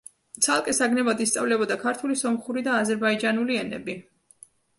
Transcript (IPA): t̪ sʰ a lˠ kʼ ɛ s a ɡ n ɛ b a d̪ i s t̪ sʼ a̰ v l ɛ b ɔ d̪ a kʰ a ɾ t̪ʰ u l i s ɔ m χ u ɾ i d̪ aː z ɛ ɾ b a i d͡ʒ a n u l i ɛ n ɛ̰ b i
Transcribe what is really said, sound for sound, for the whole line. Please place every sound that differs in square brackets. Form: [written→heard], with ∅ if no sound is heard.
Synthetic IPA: t̪ sʰ a lˠ kʼ ɛ s a ɡ n ɛ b a d̪ i s t̪ sʼ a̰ v l ɛ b ɔ d̪ a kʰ a ɾ t̪ʰ u l i s ɔ m χ u ɾ i d̪ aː z ɛ ɾ b a i d͡ʒ a n u l i ɛ n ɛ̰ b i